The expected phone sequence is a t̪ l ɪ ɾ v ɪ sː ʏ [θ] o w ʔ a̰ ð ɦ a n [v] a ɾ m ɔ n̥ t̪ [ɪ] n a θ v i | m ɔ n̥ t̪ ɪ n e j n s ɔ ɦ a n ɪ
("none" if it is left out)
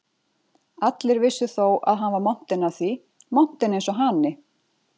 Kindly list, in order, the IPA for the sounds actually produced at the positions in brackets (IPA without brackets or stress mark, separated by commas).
θ, v, ɪ